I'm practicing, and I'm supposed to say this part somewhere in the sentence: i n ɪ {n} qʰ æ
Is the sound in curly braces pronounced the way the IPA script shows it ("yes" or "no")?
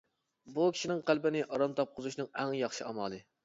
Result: no